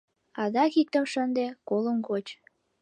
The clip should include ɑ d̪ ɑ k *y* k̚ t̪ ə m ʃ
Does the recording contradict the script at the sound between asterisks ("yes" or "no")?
yes